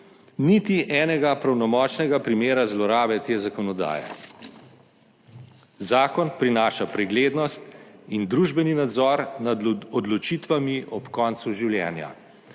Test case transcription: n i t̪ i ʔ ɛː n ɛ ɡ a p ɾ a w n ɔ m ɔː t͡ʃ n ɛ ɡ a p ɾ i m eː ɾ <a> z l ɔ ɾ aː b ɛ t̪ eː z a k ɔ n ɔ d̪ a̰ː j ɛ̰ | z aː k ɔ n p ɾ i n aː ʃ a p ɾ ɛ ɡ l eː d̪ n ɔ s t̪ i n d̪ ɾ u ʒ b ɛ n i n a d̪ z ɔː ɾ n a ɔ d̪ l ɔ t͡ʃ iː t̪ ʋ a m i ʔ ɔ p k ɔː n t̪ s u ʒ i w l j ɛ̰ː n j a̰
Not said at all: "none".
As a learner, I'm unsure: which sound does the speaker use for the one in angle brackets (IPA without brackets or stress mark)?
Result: a